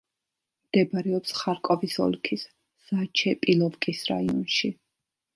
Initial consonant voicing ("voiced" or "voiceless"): voiced